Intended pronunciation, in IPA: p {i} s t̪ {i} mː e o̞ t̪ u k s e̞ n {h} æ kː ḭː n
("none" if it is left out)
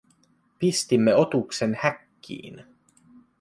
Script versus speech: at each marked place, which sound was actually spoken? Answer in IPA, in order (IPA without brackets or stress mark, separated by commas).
i, i, h